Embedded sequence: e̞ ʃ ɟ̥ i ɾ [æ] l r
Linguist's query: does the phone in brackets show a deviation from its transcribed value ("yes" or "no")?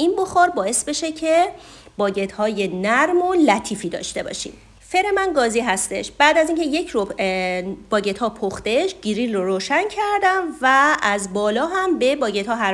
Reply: yes